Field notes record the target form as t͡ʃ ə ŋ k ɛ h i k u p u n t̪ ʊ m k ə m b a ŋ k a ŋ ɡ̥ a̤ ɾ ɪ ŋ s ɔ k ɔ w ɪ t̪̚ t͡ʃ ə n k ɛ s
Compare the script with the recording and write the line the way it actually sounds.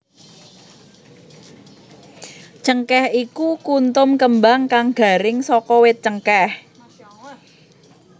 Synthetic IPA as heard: t͡ʃ ə ŋ k ɛ h i k u k u n t̪ ʊ m k ə m b a ŋ k a ŋ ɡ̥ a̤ ɾ ɪ ŋ s ɔ k ɔ w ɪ t̪̚ t͡ʃ ə ŋ k ɛ h

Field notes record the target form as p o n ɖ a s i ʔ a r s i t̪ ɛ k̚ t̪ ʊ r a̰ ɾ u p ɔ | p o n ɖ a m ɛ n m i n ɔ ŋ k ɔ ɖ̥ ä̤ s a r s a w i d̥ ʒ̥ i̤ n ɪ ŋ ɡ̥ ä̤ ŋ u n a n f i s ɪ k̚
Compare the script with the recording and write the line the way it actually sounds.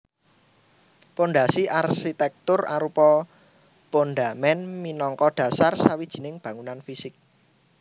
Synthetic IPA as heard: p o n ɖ a s i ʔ a r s i t̪ ɛ k̚ t̪ ʊ r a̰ ɾ u p ɔ | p o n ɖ a m ɛ n m i n ɔ ŋ k ɔ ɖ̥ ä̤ s a r s a w i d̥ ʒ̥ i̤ n ɪ ŋ b̥ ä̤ ŋ u n a n f i s ɪ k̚

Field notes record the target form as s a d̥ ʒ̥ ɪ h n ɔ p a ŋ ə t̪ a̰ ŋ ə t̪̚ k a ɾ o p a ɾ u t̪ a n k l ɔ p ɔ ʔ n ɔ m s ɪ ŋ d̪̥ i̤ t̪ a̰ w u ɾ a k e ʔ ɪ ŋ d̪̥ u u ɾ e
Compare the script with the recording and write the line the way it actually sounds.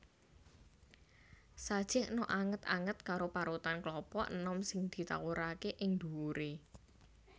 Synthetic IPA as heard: s a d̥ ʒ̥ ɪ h n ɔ ʔ a ŋ ə t̪ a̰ ŋ ə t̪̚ k a ɾ o p a ɾ u t̪ a n k l ɔ p ɔ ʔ n ɔ m s ɪ ŋ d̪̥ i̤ t̪ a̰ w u ɾ a k e ʔ ɪ ŋ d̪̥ u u ɾ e

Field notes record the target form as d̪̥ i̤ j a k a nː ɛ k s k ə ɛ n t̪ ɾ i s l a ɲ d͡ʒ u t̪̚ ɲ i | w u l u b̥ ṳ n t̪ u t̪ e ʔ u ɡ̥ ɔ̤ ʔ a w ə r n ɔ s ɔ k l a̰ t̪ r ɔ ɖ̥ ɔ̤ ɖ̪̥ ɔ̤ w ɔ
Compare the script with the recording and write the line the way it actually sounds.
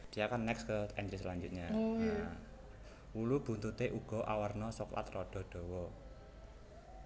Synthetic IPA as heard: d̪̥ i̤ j a k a nː ɛ k s k ə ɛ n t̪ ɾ i s l a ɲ d͡ʒ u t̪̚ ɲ a | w u l u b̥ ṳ n t̪ u t̪ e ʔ u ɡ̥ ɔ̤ ʔ a w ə r n ɔ s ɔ k l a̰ t̪ r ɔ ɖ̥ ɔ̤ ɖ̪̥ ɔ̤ w ɔ

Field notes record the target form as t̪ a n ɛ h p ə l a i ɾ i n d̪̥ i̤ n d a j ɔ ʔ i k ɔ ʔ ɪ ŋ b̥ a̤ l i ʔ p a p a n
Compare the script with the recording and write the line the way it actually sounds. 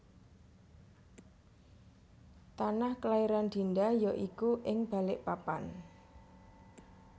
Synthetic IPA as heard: t̪ a n a h k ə l a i ɾ a n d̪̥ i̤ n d a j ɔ ʔ i k u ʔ ɪ ŋ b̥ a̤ l ɪ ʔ p a p a n

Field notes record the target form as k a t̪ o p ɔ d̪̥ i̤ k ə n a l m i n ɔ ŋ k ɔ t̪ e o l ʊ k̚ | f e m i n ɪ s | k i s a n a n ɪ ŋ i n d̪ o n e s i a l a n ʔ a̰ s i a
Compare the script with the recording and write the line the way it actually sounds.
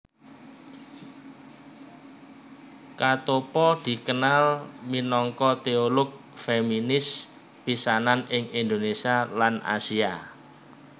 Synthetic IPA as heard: k a t̪ o p ɔ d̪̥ i̤ k ə n a l m i n ɔ ŋ k ɔ t̪ e o l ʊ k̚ | f e m i n ɪ s | p i s a n a n ɪ ŋ i n d̪ o n e s i a l a n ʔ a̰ s i a

